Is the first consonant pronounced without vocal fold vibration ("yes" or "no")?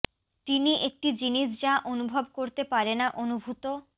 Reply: yes